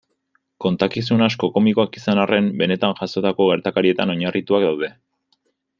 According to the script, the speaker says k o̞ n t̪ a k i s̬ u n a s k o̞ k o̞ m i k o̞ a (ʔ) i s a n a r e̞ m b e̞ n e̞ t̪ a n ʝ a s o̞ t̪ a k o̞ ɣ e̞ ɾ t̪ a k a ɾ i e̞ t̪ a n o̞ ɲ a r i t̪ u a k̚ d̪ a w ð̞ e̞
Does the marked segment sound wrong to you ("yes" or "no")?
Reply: yes